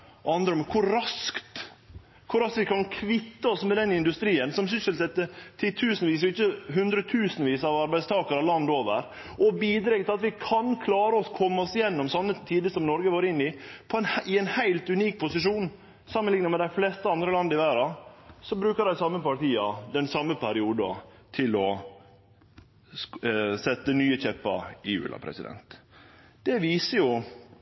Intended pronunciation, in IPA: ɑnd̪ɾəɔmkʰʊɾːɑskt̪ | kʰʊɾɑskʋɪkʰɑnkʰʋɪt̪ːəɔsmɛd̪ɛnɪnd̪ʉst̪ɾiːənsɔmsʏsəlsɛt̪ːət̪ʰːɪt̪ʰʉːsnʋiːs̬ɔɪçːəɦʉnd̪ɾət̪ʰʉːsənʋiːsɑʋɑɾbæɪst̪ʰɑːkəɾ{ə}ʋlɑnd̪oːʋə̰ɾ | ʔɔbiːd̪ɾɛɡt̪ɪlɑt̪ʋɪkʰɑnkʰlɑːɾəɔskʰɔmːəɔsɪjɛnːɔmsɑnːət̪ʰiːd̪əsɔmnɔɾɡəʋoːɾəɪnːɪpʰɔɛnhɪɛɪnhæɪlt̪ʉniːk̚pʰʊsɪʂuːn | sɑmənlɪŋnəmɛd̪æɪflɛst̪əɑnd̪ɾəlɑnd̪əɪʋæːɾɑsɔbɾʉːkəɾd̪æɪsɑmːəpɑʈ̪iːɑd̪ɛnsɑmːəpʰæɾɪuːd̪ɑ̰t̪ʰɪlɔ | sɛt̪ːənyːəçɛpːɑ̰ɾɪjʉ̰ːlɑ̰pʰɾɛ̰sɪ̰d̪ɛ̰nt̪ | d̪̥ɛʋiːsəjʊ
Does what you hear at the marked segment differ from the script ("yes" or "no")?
yes